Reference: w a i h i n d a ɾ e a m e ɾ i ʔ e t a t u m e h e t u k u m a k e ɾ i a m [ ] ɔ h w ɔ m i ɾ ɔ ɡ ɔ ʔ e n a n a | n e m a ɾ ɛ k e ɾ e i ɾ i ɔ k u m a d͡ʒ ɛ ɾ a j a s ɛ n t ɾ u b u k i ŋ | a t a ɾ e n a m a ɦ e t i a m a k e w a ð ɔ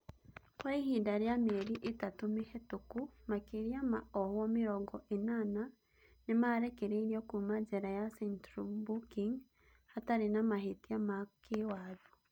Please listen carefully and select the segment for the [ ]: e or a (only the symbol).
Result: a